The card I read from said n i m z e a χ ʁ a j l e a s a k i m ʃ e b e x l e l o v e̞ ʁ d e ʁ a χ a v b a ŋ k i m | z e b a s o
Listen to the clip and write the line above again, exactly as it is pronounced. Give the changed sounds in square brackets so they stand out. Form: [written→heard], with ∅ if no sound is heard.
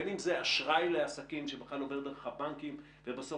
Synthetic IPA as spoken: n i m z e a [χ→ʃ] ʁ a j l e a s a k i m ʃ e b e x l [e→a] l o v e̞ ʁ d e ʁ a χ a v b a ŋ k i m | [z→v] e b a s o

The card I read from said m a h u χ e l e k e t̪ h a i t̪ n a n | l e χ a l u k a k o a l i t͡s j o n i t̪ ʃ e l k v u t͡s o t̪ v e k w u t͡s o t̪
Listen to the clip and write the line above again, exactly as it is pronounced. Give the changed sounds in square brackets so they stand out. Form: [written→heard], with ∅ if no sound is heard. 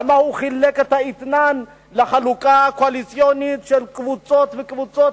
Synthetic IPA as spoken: m a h u χ [e→i] l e k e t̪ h a i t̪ n a n | l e χ a l u k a k o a l i t͡s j o n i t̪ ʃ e l k v u t͡s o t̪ v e k [w→v] u t͡s o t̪

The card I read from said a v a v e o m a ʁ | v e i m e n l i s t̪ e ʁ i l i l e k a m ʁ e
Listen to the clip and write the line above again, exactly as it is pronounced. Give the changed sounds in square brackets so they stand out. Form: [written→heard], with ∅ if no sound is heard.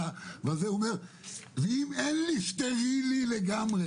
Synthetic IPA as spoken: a v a [v→z] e o m [a→e] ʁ | v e i m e n l i [s→ʃ] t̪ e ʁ i l i l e [k→ɡ] a m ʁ e

